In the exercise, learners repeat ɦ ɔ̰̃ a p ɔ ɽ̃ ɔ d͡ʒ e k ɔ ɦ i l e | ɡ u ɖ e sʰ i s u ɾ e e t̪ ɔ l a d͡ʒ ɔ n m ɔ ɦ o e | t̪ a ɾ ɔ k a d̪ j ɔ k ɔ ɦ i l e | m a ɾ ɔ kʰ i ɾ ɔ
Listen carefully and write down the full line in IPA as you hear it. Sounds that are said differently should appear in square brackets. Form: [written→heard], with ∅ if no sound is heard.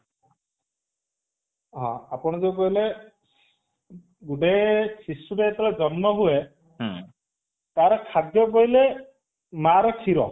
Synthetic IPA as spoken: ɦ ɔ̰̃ a p ɔ ɽ̃ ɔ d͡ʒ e k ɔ ɦ i l e | ɡ u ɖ e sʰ i s u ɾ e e t̪ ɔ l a d͡ʒ ɔ n m ɔ ɦ [o→u] e | t̪ a ɾ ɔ [k→kʰ] a d̪ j ɔ k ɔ ɦ i l e | m a ɾ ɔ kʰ i ɾ ɔ

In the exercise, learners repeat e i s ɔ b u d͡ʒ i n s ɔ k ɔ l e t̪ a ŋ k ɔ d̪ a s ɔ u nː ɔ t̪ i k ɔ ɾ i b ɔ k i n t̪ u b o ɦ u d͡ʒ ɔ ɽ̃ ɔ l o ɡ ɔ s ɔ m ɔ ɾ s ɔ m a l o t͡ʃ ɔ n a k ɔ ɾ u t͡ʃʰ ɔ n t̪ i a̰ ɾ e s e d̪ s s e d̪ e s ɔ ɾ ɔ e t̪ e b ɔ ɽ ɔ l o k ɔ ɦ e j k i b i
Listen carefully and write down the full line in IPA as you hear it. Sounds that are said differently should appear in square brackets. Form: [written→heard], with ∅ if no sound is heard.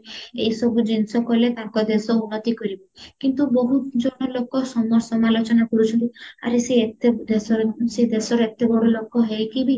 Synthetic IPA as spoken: e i s ɔ b u d͡ʒ i n s ɔ k ɔ l e t̪ a ŋ k ɔ d̪ [a→e] s ɔ u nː ɔ t̪ i k ɔ ɾ i b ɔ k i n t̪ u b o ɦ u d͡ʒ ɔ ɽ̃ ɔ l o [ɡ→k] ɔ s ɔ m ɔ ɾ s ɔ m a l o t͡ʃ ɔ n a k ɔ ɾ u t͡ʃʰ ɔ n t̪ i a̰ ɾ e s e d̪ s s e d̪ e s ɔ ɾ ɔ e t̪ e b ɔ ɽ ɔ l o k ɔ ɦ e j k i b i

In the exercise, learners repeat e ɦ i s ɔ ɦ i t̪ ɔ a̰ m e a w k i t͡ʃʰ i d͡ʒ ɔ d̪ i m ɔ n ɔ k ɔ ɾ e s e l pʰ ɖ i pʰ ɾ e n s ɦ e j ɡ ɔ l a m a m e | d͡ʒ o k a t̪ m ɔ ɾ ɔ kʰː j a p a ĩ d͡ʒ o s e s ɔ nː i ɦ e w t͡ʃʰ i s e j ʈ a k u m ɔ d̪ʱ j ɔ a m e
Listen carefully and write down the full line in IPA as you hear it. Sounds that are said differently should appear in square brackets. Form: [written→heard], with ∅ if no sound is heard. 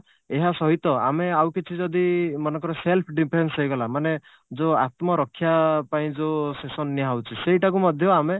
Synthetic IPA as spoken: e ɦ [i→a] s ɔ ɦ i t̪ ɔ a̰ m e a w k i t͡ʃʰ i d͡ʒ ɔ d̪ i m ɔ n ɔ k ɔ ɾ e s e l pʰ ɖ i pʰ ɾ e n s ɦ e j ɡ ɔ l a m a [m→n] e | d͡ʒ o [k→∅] a t̪ m ɔ ɾ ɔ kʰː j a p a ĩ d͡ʒ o s e s ɔ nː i ɦ [e→a] w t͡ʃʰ i s e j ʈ a k u m ɔ d̪ʱ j ɔ a m e

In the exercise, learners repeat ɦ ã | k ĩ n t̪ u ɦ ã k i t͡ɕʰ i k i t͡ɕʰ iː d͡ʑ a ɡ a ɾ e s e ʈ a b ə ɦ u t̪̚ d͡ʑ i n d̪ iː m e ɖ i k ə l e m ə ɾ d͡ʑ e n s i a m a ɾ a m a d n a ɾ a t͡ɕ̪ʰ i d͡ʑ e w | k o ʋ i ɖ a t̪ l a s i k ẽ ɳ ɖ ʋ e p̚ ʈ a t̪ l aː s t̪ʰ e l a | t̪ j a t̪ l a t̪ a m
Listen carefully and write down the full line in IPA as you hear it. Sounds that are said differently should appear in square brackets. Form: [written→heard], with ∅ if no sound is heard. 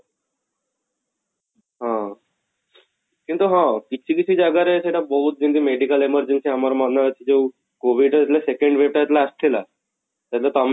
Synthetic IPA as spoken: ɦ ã | k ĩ n t̪ u ɦ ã k i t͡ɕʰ i k i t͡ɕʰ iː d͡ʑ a ɡ a ɾ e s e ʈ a b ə ɦ u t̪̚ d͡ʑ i n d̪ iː m e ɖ i k ə l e m ə ɾ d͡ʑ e n s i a m a ɾ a m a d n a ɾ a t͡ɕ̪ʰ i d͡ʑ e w | k o ʋ i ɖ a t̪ l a s [i→e] k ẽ ɳ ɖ ʋ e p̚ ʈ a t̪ l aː s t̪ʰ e l a | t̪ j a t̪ l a t̪ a m

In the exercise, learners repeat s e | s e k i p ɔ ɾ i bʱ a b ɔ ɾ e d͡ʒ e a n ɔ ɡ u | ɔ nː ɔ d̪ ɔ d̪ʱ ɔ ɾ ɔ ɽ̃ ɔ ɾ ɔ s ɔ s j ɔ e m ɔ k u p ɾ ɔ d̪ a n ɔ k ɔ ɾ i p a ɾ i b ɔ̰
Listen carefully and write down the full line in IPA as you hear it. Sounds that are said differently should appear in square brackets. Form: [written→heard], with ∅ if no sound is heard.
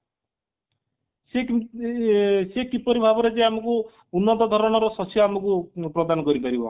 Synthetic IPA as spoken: s e | s e k i p ɔ ɾ i bʱ a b ɔ ɾ e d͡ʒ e a [n→m] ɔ [ɡ→k] u | [ɔ→u] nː ɔ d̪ ɔ d̪ʱ ɔ ɾ ɔ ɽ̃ ɔ ɾ ɔ s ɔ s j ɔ [e→a] m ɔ k u p ɾ ɔ d̪ a n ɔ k ɔ ɾ i p a ɾ i b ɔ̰

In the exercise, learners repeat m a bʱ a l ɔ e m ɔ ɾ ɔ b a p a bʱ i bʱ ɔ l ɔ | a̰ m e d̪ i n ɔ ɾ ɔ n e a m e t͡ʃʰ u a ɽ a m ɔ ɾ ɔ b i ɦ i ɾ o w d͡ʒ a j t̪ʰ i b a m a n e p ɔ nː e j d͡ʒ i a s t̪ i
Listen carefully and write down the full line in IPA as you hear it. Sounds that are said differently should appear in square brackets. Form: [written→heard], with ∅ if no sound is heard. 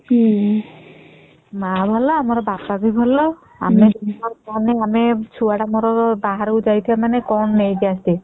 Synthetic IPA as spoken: m a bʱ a l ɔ [e→a] m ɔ ɾ ɔ b a p a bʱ i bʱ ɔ l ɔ | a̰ m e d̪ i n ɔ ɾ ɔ n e a m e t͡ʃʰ u a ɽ a m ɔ ɾ ɔ b [i→a] ɦ [i→a] ɾ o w d͡ʒ a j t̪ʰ i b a m a n e [p→k] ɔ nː e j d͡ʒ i a s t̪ i

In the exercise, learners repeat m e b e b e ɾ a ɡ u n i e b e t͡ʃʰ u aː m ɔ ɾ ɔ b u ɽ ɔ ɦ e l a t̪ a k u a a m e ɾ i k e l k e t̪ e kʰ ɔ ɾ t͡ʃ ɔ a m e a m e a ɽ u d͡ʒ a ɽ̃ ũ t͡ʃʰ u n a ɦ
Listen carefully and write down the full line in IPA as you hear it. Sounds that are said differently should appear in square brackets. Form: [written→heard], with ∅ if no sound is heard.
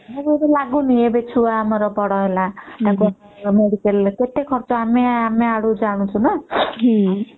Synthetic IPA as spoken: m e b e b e [ɾ→l] a ɡ u n i e b e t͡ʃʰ u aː m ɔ ɾ ɔ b [u→ɔ] ɽ ɔ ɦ e l a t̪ a k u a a m e [ɾ→ɽ] i k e l k e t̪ e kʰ ɔ ɾ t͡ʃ ɔ a m e a m e a ɽ u d͡ʒ a ɽ̃ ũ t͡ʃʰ u n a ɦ

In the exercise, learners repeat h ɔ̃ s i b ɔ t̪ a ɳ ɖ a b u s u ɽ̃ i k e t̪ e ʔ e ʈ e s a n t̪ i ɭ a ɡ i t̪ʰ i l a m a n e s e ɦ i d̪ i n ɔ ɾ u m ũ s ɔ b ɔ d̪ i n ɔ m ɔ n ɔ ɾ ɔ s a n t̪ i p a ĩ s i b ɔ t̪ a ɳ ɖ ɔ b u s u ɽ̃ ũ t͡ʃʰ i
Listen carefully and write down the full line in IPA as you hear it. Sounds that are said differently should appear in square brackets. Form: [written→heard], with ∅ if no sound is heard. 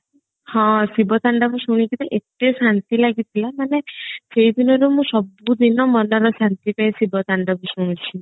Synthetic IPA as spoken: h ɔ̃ s i b ɔ t̪ a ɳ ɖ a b u s u ɽ̃ i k [e→i] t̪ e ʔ e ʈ e s a n t̪ i [ɭ→l] a ɡ i t̪ʰ i l a m a n e s e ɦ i d̪ i n ɔ ɾ u m ũ s ɔ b [ɔ→u] d̪ i n ɔ m ɔ n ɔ ɾ ɔ s a n t̪ i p a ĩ s i b ɔ t̪ a ɳ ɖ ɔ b u s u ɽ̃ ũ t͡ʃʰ i

